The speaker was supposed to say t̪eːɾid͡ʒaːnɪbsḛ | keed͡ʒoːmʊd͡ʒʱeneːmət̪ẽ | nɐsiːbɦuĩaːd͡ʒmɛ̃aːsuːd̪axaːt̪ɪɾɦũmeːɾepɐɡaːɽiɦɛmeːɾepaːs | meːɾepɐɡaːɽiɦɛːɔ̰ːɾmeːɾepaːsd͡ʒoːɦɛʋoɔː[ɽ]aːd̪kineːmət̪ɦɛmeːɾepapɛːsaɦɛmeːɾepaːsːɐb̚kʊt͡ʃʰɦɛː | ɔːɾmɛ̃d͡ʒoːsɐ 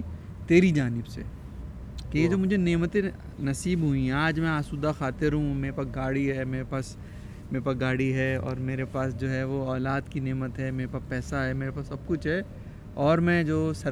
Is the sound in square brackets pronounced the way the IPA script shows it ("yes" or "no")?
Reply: no